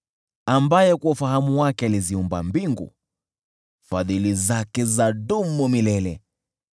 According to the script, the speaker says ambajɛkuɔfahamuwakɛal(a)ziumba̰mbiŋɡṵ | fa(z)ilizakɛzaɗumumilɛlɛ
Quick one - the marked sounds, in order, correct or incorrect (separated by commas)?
incorrect, incorrect